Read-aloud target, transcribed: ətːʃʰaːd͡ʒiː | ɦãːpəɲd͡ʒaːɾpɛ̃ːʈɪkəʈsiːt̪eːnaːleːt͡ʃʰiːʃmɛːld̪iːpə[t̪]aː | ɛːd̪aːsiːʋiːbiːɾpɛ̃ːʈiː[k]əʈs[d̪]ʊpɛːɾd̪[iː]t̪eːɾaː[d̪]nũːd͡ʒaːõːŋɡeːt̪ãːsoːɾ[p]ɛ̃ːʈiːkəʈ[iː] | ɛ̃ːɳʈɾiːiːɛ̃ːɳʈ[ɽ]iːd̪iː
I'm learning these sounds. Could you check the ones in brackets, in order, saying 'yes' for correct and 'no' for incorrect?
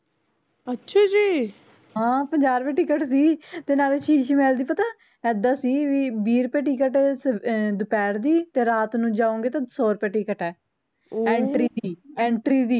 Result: yes, yes, yes, yes, no, yes, no, no

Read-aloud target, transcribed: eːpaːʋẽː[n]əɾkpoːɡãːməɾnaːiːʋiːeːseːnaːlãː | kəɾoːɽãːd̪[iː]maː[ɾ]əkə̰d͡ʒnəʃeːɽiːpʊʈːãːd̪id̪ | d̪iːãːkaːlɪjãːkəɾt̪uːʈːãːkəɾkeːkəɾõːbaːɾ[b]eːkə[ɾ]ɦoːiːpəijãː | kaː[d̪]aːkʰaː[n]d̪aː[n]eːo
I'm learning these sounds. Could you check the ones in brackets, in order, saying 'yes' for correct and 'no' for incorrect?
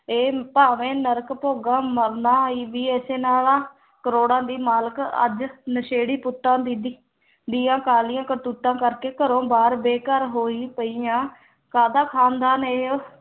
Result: yes, yes, no, yes, yes, yes, yes, yes

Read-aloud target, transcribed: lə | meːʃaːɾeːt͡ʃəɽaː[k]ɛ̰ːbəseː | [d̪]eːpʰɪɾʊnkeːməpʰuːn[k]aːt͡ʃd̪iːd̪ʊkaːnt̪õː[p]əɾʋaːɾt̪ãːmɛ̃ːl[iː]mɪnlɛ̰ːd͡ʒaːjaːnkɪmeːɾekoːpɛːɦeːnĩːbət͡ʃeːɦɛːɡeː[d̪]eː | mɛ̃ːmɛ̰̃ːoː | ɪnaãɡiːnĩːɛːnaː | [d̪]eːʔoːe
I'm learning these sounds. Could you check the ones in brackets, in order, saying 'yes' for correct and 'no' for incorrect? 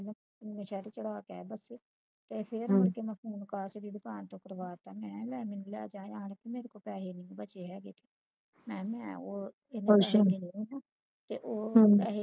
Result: yes, no, yes, no, no, no, no

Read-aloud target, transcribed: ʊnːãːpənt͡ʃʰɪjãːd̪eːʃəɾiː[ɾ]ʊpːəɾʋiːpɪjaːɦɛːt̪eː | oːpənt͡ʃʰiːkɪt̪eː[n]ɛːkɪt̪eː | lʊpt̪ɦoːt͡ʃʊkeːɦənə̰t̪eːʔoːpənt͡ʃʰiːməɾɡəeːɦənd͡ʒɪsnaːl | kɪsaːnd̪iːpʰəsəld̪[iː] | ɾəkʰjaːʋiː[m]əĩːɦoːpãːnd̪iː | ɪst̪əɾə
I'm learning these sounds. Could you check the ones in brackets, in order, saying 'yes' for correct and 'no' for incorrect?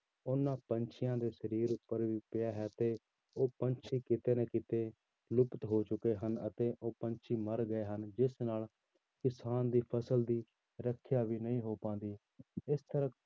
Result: yes, yes, yes, no

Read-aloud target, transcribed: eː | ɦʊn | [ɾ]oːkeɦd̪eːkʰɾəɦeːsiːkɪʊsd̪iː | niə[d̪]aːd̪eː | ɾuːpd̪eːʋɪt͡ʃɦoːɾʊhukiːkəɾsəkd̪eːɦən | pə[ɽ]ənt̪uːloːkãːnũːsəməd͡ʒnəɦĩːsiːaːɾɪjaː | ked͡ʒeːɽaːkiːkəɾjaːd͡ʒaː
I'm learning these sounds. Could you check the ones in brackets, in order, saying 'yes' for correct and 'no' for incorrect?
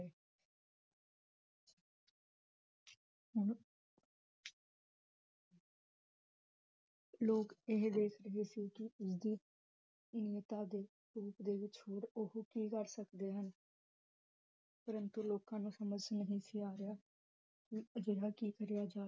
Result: no, no, no

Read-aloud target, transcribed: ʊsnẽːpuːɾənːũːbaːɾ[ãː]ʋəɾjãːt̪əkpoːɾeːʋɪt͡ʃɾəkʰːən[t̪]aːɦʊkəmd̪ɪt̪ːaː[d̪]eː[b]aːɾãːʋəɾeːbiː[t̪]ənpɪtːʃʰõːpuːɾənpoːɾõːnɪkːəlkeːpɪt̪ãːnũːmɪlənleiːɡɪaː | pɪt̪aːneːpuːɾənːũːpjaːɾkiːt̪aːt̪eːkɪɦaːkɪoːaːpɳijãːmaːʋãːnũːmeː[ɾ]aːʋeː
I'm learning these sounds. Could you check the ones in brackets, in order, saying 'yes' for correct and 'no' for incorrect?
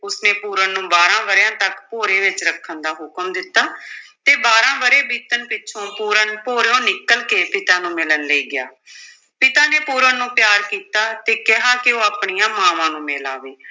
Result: yes, no, no, yes, yes, no

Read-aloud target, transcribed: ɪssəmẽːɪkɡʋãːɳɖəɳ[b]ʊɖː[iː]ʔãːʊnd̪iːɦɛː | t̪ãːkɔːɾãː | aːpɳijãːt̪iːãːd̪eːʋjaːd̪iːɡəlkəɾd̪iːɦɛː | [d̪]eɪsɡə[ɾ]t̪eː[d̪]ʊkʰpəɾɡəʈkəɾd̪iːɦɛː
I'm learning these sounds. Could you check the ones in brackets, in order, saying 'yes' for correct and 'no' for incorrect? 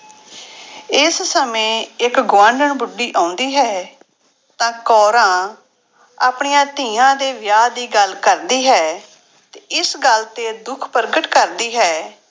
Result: yes, yes, no, no, yes

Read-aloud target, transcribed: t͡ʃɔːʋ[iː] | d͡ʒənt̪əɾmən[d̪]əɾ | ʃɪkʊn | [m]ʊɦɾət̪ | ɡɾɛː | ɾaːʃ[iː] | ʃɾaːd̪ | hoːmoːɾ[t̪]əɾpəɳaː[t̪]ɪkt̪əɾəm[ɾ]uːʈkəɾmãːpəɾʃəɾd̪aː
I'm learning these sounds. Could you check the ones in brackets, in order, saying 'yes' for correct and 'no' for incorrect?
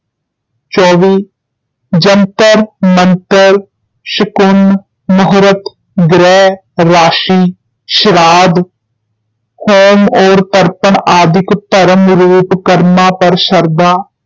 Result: yes, no, yes, yes, yes, no, yes

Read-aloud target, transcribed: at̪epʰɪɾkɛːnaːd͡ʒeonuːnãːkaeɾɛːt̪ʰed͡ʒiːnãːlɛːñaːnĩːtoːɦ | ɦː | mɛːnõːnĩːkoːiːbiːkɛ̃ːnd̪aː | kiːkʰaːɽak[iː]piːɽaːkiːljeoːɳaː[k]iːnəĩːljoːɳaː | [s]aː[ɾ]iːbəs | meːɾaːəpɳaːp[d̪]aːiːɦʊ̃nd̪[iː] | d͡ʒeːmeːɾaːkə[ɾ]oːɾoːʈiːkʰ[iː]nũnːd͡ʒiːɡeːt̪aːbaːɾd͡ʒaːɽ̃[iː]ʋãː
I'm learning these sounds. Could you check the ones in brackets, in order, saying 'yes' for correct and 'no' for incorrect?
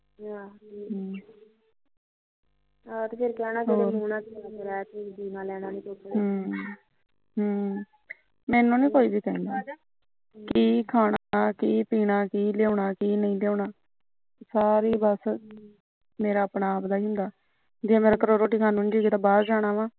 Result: yes, yes, yes, yes, yes, no, yes, no, no

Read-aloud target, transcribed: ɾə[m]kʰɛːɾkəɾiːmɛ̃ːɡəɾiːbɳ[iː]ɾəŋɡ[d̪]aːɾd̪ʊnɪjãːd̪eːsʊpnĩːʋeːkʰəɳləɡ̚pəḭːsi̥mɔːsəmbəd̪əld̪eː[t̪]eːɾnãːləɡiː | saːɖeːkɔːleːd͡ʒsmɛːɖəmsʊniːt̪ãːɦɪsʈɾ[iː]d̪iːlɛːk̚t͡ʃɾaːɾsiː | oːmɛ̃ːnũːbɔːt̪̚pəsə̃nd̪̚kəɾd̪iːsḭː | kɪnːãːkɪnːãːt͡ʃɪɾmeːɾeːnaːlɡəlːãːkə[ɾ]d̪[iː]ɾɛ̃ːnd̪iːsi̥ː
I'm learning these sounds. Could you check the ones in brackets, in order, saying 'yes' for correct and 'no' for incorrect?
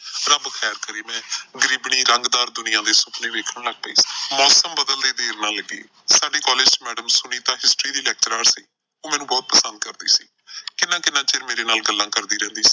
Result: no, yes, yes, no, yes, yes, yes

